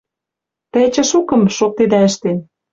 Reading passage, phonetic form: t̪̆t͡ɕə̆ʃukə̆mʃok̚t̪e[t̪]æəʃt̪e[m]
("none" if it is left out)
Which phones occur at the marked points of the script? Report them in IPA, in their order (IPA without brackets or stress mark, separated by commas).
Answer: d̪, n